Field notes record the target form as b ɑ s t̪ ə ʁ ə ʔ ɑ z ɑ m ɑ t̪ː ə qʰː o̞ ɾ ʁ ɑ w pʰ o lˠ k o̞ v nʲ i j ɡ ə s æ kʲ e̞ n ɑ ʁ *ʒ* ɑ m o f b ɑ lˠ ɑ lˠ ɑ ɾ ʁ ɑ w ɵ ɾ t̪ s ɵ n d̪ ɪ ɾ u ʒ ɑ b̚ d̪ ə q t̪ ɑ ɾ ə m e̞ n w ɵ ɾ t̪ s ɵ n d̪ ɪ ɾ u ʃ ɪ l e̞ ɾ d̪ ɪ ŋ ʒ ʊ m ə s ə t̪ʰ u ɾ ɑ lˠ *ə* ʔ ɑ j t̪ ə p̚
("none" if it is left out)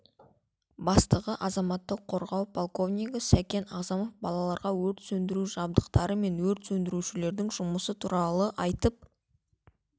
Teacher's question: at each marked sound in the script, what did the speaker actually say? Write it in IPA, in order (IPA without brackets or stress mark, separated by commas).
z, ə